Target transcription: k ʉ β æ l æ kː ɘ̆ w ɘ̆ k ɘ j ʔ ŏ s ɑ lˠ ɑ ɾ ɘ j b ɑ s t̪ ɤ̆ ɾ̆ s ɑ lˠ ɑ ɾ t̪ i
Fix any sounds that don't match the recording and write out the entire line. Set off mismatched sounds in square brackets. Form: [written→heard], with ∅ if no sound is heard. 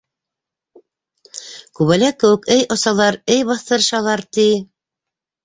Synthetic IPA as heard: k ʉ β æ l æ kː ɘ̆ w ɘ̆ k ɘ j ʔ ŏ s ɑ lˠ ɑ ɾ ɘ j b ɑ [s→θ] t̪ ɤ̆ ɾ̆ [s→ʃ] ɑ lˠ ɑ ɾ t̪ i